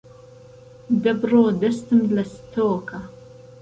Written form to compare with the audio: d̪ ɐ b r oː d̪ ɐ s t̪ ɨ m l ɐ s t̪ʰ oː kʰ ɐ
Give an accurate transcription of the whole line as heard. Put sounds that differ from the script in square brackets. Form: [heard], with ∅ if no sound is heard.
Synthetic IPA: d̪ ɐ b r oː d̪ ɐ s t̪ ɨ m l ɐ s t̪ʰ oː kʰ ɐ